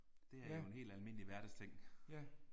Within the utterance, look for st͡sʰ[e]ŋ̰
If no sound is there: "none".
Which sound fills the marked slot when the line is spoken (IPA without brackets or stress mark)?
e